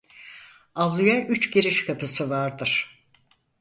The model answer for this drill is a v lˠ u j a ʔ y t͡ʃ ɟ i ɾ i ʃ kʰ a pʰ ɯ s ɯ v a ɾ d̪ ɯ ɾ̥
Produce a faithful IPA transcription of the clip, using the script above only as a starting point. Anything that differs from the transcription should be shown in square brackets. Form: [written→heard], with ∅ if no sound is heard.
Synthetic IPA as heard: a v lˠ u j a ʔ y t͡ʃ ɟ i ɾ i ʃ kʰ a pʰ ɯ s ɯ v a ɾ d̪ ɯ ɾ̥

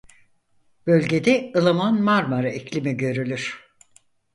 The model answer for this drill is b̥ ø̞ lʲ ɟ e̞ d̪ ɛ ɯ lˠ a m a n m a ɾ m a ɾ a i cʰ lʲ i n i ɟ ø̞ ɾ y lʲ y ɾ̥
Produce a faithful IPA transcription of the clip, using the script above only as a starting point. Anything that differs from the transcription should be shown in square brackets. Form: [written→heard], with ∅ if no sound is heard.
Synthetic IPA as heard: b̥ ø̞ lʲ ɟ e̞ d̪ ɛ ɯ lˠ a m a n m a ɾ m a ɾ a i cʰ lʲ i [n→m] i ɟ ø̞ ɾ y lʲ y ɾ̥

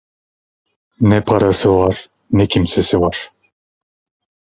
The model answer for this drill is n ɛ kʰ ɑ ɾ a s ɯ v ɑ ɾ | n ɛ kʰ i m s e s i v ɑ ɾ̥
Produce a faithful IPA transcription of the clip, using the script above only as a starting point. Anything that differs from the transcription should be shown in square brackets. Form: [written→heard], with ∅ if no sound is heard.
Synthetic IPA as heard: n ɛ [kʰ→pʰ] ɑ ɾ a s ɯ v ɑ ɾ | n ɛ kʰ i m s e s i v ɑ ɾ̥

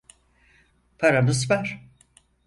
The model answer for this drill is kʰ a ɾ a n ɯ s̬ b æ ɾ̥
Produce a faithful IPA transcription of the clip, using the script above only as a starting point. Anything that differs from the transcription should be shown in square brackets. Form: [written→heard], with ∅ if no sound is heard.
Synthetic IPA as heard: [kʰ→pʰ] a ɾ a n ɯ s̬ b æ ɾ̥

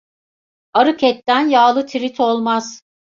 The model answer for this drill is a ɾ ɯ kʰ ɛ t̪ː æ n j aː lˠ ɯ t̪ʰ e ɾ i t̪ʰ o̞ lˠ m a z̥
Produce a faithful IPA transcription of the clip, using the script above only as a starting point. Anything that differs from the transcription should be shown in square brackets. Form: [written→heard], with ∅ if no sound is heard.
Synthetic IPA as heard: a ɾ ɯ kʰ ɛ t̪ː æ n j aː lˠ ɯ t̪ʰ [e→i] ɾ i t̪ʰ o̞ lˠ m a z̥

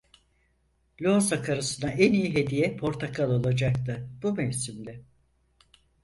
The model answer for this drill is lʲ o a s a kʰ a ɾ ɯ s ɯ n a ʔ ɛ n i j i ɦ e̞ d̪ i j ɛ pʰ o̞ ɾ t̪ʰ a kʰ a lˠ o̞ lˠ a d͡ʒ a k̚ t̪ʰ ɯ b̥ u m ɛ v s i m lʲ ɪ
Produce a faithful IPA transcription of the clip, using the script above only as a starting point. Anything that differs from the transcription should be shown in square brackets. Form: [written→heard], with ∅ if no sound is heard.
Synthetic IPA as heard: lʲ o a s a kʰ a ɾ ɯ s ɯ n a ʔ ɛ n i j i ɦ e̞ d̪ i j ɛ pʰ o̞ ɾ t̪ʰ a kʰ a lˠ o̞ lˠ a d͡ʒ a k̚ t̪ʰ ɯ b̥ u m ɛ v s i m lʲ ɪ

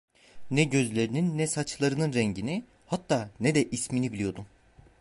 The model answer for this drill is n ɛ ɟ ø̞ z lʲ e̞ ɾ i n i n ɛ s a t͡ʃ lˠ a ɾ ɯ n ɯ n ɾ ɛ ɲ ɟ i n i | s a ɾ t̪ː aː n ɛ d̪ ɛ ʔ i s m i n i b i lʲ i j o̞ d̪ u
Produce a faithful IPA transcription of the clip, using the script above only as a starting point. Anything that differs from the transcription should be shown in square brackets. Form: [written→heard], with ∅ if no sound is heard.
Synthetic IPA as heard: n ɛ ɟ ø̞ z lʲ e̞ ɾ i n i [n→nː] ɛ s a t͡ʃ lˠ a ɾ ɯ n ɯ n ɾ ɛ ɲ ɟ i n i | [s→h] a [ɾ→∅] t̪ː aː n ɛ d̪ ɛ ʔ i s m i n i b i lʲ i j o̞ d̪ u

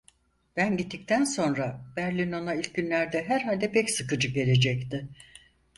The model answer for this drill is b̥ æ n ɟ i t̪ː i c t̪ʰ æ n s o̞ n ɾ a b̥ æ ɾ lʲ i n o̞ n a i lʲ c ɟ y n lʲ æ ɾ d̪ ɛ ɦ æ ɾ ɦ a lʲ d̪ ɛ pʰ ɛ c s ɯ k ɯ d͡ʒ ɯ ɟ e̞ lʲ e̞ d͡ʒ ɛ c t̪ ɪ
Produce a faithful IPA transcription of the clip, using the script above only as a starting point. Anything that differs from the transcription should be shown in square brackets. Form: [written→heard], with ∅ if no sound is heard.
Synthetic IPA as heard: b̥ æ n ɟ i t̪ː i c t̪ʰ æ n s o̞ n ɾ a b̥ æ ɾ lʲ i n o̞ n a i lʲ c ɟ y n lʲ æ ɾ d̪ ɛ ɦ æ ɾ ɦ a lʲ d̪ ɛ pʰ ɛ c s ɯ k ɯ d͡ʒ ɯ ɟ e̞ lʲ e̞ d͡ʒ ɛ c t̪ ɪ

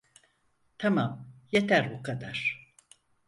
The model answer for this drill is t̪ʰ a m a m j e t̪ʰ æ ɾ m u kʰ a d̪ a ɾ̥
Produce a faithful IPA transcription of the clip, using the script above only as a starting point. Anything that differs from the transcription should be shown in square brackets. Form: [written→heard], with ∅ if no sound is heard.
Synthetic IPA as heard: t̪ʰ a m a m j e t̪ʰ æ ɾ [m→b] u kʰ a d̪ a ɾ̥

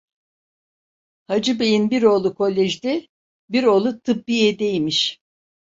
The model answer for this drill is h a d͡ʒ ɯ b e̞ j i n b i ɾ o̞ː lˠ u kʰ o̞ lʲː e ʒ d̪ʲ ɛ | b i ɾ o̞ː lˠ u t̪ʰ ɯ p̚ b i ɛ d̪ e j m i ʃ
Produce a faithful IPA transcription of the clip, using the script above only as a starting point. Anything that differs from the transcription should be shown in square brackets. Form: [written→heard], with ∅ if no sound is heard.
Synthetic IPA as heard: h a d͡ʒ ɯ b e̞ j i n b i ɾ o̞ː lˠ u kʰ o̞ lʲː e ʒ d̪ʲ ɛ | b i ɾ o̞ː lˠ u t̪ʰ ɯ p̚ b i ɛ d̪ e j m i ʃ

